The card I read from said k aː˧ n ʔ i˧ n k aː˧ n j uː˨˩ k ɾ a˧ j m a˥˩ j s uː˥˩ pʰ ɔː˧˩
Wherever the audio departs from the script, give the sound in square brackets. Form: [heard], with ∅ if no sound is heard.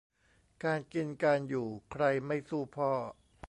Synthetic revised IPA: k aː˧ n [k] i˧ n k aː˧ n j uː˨˩ [kʰ] ɾ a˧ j m a˥˩ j s uː˥˩ pʰ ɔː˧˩

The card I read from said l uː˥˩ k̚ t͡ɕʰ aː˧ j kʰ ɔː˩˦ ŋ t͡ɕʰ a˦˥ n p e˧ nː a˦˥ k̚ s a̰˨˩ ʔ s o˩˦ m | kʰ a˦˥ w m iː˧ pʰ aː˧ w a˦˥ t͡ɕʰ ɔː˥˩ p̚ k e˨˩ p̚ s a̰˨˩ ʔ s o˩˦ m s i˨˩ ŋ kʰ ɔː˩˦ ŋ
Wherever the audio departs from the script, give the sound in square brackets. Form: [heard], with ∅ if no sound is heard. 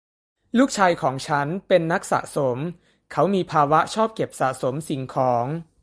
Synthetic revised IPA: l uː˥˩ k̚ t͡ɕʰ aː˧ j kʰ ɔː˩˦ ŋ t͡ɕʰ a˦˥ n p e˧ nː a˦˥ k̚ s a̰˨˩ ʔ s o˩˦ m | kʰ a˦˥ w m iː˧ pʰ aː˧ w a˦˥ t͡ɕʰ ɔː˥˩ p̚ k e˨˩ p̚ s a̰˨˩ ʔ s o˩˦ m s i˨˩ ŋ kʰ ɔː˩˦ ŋ

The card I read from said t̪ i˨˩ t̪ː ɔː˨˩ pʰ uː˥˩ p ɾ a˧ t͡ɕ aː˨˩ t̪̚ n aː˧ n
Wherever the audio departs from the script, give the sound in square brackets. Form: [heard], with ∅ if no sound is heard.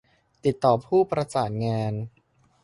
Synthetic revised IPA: t̪ i˨˩ t̪ː ɔː˨˩ pʰ uː˥˩ p ɾ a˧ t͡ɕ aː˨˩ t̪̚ [ŋ] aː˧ n

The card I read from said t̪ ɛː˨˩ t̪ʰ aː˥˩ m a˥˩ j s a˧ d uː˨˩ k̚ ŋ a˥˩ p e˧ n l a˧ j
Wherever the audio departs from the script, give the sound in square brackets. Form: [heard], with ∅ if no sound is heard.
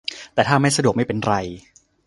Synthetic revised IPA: t̪ ɛː˨˩ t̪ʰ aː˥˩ m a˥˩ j s a˧ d [u˨˩] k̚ [m] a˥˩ p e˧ n [ɾ] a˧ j

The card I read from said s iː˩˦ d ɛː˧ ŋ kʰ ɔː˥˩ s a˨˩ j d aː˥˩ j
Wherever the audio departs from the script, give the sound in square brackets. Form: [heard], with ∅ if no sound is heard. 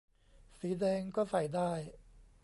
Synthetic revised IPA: s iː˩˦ d ɛː˧ ŋ [k] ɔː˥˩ s a˨˩ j d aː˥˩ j

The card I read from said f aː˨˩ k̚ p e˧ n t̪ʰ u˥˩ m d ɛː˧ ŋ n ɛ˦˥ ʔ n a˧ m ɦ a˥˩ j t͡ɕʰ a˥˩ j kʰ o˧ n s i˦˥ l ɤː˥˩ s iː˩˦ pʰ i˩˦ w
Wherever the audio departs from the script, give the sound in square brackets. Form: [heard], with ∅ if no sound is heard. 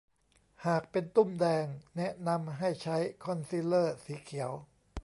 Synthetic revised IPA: [h] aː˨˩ k̚ p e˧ n [t̪] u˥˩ m d ɛː˧ ŋ n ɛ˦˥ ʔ n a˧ m ɦ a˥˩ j t͡ɕʰ [a˦˥] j kʰ [ɔ˧] n s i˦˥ l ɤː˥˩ s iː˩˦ [kʰ] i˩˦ w

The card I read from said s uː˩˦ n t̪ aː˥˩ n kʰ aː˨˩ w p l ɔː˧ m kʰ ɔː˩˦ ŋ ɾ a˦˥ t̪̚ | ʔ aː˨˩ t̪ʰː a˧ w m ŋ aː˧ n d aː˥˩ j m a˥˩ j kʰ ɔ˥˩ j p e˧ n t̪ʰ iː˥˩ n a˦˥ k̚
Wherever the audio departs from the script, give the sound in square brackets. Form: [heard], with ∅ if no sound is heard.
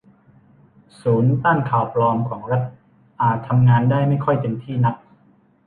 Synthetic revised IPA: s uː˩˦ n t̪ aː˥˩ n kʰ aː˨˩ w p l ɔː˧ m kʰ ɔː˩˦ ŋ ɾ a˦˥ t̪̚ | ʔ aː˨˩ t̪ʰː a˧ [∅] m ŋ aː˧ n d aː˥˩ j m a˥˩ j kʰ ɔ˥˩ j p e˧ n t̪ʰ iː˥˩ n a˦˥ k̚

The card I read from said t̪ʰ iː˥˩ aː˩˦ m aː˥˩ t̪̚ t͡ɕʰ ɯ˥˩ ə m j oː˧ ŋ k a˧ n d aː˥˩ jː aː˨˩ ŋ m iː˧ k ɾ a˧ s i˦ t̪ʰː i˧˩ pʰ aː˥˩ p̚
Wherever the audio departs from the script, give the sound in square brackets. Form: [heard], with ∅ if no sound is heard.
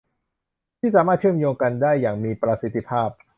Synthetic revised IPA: t̪ʰ iː˥˩ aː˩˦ m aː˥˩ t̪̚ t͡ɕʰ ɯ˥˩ ə m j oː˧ ŋ k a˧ n d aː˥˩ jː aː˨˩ ŋ m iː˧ [p] ɾ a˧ s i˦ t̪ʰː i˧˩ pʰ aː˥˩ p̚

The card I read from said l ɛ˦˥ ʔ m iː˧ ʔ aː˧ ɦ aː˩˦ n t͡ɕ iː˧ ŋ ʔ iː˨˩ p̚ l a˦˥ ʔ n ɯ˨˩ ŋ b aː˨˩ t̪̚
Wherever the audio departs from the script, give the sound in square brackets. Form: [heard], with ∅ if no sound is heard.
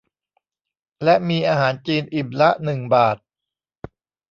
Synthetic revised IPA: l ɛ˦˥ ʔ m iː˧ ʔ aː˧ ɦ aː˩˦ n t͡ɕ iː˧ [n] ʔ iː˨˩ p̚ l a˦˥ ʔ n ɯ˨˩ ŋ b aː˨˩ t̪̚

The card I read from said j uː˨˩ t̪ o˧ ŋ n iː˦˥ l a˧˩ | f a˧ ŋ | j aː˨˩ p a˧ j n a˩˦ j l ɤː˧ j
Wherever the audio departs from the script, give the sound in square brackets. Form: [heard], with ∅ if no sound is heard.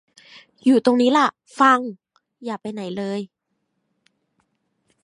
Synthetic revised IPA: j uː˨˩ t̪ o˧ ŋ n iː˦˥ l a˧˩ | f a˧ ŋ | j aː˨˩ p a˧ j n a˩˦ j l ɤː˧ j

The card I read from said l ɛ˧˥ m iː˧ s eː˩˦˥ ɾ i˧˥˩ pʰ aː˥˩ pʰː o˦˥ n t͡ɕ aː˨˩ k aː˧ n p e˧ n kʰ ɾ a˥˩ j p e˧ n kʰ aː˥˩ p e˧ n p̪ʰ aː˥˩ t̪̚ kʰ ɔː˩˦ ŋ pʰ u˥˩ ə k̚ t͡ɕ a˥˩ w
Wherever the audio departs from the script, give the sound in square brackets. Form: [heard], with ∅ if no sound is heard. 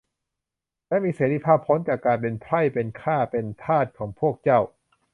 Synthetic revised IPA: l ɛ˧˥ m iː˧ s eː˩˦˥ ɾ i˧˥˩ pʰ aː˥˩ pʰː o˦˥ n t͡ɕ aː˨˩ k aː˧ n p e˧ n [pʰ] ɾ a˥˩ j p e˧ n kʰ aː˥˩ p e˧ n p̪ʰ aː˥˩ t̪̚ kʰ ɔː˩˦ ŋ pʰ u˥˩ ə k̚ t͡ɕ a˥˩ w

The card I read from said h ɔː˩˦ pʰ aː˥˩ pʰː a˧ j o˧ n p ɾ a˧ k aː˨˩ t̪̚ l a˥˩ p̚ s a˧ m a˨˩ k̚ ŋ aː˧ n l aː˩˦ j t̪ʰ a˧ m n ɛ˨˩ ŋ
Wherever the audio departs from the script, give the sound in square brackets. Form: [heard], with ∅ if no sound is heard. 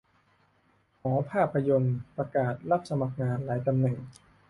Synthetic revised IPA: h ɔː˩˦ pʰ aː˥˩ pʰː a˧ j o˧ n p ɾ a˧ k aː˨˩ t̪̚ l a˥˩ p̚ s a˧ m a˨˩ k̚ ŋ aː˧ n l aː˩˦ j [t̪] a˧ m n ɛ˨˩ ŋ

